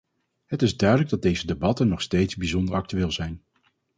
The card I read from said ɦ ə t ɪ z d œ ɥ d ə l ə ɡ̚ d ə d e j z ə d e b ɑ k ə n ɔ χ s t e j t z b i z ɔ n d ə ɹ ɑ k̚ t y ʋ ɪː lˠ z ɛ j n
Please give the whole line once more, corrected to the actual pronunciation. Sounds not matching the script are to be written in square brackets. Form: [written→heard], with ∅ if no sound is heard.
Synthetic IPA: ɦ ə t ɪ z d œ ɥ d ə l ə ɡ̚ d [ə→ɑ] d e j z ə d e b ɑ [k→t] ə n ɔ χ s t e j t z b i z ɔ n d ə ɹ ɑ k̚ t y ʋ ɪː lˠ z ɛ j n